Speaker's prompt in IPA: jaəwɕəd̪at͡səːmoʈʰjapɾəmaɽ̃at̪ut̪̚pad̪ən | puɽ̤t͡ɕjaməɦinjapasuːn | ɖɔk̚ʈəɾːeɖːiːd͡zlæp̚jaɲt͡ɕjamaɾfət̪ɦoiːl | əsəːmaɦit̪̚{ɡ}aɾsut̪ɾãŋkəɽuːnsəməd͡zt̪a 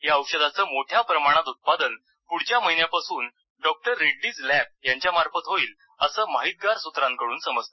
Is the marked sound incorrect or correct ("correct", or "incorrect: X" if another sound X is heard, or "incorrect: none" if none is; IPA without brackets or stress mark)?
correct